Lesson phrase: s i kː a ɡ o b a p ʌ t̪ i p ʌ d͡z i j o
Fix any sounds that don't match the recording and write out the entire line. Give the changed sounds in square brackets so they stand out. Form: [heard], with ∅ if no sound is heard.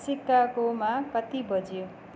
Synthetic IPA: s i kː a [k] o [m] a [k] ʌ t̪ i [b] ʌ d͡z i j o